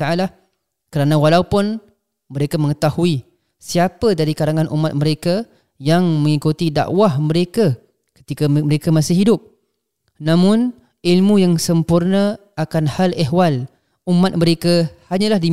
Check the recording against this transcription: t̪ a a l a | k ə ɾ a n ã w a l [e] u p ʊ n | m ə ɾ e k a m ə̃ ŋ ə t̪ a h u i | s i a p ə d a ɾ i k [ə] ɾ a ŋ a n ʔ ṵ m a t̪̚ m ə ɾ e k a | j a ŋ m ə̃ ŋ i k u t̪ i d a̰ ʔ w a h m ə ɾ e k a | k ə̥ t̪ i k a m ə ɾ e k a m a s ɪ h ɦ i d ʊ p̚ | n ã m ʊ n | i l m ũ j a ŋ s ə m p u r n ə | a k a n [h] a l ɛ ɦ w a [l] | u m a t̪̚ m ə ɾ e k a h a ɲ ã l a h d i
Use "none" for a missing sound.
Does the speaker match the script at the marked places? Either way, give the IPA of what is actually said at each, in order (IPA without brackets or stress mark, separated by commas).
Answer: a, a, h, l